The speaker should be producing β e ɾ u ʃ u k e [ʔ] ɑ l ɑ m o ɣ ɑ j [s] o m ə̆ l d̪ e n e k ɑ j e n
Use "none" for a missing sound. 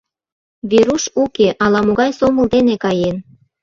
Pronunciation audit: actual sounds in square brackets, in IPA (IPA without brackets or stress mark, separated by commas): ʔ, s